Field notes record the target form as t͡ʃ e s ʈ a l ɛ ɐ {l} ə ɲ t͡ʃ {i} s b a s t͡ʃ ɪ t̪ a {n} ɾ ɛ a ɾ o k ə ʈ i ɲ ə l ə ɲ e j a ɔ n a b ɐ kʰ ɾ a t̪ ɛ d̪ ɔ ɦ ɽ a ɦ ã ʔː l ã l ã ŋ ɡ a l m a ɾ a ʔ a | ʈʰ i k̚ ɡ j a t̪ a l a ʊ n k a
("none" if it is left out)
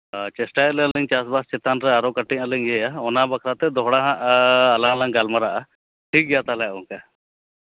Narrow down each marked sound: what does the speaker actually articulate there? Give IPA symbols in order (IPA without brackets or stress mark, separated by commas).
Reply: l, a, n